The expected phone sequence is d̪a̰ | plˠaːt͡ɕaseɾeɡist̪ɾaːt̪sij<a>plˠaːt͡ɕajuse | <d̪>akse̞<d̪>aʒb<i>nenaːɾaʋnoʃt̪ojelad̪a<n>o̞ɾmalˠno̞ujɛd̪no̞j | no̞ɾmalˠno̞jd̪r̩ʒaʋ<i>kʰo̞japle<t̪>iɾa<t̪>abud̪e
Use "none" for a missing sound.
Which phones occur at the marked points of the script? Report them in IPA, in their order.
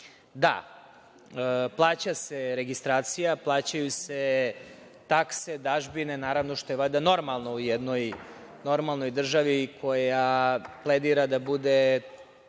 a, t̪, d̪, i, n, i, d̪, d̪

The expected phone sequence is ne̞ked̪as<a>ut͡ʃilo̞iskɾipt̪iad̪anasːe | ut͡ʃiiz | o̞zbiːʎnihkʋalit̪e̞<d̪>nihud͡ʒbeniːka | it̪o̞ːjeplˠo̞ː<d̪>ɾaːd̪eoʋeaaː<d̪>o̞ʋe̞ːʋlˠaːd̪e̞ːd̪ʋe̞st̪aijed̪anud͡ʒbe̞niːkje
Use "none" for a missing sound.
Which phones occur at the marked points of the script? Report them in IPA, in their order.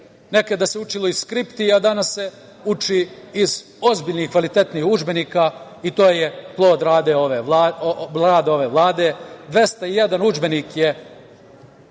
e, t̪, d̪, d̪

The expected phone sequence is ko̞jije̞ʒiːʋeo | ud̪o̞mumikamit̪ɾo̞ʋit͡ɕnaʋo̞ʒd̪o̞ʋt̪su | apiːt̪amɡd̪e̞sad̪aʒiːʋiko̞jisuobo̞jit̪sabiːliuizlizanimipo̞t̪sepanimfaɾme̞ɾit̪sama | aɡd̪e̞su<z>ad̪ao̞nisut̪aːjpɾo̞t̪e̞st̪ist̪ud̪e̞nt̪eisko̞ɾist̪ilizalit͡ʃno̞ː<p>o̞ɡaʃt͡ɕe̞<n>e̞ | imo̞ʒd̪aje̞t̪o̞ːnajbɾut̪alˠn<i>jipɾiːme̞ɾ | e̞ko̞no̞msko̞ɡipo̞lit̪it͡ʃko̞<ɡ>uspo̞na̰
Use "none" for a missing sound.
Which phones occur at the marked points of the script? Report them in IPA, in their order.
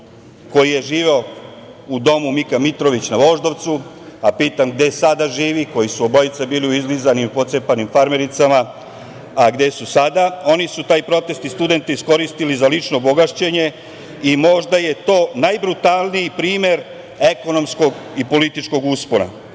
s, b, ɲ, i, ɡ

